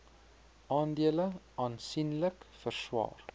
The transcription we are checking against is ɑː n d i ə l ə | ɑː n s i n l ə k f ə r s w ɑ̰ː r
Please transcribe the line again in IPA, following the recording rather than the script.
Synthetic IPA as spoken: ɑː n d i ə l ə | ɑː n s i n l ə k f ə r s w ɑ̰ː r